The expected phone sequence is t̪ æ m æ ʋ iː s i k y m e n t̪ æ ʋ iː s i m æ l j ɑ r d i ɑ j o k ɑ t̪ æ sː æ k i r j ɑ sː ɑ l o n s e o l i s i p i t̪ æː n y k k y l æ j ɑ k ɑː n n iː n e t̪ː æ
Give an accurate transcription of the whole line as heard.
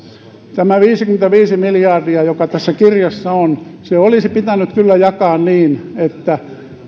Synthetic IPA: t̪ æ m æ ʋ iː s i k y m e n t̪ æ ʋ iː s i m i l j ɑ r d i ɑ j o k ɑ t̪ æ sː æ k i r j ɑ sː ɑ o n s e o l i s i p i t̪ æ n y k k y lː æ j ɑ k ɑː n n iː n e t̪ː æ